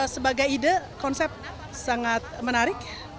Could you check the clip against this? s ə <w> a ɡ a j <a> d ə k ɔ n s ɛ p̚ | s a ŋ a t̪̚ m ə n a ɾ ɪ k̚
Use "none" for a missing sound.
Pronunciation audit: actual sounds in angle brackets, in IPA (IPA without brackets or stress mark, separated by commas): b, i